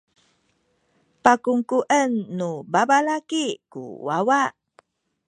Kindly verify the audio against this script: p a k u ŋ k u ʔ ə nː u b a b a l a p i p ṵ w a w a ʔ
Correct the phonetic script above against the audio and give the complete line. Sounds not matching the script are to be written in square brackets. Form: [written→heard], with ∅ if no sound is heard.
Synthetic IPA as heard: p a k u ŋ k u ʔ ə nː u b a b a l a [p→k] i [p→k] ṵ w a w a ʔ